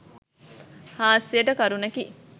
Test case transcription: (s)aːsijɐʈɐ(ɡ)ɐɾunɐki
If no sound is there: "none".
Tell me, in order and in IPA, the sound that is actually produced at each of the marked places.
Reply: h, k

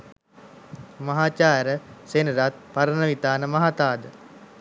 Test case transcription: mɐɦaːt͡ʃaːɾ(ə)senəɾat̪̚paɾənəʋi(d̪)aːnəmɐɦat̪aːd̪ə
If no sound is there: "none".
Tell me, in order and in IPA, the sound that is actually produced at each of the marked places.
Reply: ə, t̪

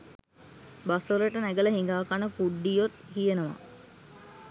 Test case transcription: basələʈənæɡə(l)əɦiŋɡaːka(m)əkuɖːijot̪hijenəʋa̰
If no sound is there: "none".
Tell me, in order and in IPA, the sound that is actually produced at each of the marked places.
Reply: l, n

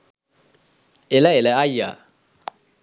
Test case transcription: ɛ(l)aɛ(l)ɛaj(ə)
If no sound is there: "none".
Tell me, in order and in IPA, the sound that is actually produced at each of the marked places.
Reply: l, l, a

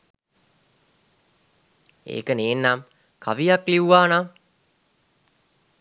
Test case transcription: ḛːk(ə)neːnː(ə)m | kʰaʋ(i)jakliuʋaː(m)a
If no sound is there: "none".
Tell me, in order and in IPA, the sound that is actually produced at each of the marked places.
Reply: ə, a, i, n

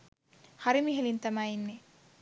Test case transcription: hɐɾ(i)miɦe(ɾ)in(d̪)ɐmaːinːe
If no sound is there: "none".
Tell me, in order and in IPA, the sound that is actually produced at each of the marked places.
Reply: i, l, t̪

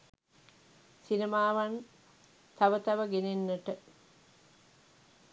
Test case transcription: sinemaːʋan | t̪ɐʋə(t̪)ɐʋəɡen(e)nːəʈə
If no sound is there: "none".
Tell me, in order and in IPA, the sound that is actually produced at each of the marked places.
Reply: t̪, e

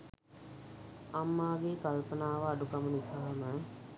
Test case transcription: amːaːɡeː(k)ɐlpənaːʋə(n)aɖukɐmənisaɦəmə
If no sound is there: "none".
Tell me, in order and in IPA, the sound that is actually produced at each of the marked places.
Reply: k, none

